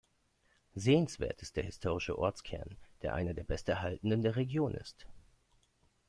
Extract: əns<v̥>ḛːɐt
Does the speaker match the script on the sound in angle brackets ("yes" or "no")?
yes